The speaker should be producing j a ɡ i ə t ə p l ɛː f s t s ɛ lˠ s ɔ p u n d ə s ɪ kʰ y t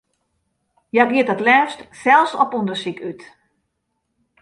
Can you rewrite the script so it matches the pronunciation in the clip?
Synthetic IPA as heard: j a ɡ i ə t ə t l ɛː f s t s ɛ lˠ s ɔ p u n d ə s i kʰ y t